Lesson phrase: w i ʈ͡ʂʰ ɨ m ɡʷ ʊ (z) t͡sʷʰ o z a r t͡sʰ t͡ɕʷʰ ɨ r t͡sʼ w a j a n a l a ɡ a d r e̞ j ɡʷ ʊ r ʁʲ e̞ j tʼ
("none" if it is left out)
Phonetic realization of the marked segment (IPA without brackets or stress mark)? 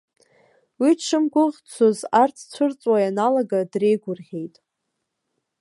ʁ